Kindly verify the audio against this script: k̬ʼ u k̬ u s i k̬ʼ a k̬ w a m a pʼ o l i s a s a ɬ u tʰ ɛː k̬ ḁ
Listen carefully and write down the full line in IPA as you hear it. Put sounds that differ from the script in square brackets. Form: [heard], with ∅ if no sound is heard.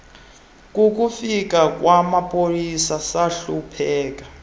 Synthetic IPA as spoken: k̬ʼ u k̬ u [f] i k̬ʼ a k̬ w a m a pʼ o l i s a s a ɬ u [pʰ] ɛː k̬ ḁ